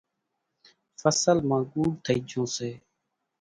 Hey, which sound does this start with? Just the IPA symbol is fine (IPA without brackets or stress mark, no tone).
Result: f